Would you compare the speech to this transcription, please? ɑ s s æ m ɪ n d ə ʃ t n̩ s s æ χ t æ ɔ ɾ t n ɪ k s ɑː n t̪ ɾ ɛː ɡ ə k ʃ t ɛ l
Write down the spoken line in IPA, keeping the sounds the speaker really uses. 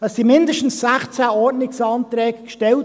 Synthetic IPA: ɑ s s i m ɪ n d ə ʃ t n̩ s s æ χ t͡s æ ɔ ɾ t n ɪ k s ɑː n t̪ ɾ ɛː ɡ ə k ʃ t ɛ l